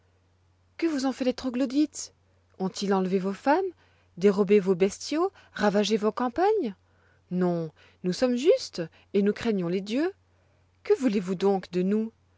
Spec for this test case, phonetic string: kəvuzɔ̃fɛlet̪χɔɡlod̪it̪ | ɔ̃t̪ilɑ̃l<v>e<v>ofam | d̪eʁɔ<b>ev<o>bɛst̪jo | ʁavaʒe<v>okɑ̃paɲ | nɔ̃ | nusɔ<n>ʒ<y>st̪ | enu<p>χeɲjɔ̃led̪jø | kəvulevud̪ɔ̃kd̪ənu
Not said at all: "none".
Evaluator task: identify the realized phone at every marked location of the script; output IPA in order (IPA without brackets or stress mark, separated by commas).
v, v, b, o, v, m, y, k